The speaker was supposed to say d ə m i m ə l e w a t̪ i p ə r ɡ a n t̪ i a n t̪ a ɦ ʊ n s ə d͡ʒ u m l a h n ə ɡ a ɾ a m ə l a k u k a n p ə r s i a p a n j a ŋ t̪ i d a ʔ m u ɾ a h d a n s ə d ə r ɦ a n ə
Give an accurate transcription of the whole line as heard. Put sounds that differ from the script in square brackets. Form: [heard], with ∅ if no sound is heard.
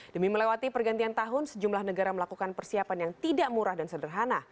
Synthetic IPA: d ə m i m ə l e w a t̪ i p ə r ɡ a n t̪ i a n t̪ a ɦ ʊ n s ə d͡ʒ u m l a h n ə ɡ a ɾ a m ə l a k u k a n p ə r s i a p a n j a ŋ t̪ i d a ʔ m u ɾ a h d a n s ə d ə r ɦ a n [a]